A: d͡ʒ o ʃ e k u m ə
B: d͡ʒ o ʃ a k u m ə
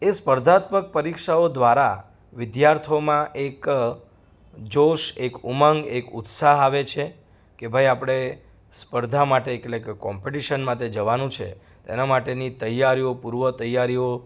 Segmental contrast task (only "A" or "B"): A